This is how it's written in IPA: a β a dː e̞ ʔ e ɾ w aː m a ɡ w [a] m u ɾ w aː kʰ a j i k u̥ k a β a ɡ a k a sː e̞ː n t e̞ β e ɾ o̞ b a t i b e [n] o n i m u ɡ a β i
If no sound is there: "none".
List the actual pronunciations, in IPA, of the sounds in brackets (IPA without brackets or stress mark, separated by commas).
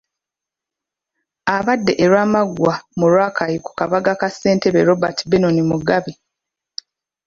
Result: a, n